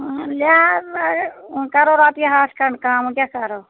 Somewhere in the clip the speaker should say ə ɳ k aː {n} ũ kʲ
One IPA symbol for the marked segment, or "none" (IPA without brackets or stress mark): m